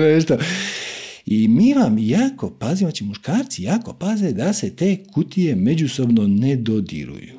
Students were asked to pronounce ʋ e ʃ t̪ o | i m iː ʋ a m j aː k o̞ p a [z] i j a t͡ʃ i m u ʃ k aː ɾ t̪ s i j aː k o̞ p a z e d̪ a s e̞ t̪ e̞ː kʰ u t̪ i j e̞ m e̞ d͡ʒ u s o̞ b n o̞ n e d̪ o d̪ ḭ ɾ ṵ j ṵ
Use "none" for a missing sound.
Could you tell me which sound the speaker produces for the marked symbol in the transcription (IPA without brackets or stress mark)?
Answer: z